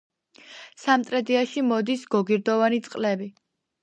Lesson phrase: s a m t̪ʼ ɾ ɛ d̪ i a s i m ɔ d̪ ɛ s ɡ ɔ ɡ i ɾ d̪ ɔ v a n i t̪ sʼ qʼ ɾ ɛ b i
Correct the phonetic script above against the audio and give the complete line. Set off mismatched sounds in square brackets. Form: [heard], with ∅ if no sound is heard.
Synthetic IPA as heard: s a m t̪ʼ ɾ ɛ d̪ i a [ʃ] i m ɔ d̪ [i] s ɡ ɔ ɡ i ɾ d̪ ɔ v a n i t̪ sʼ qʼ [l] ɛ b i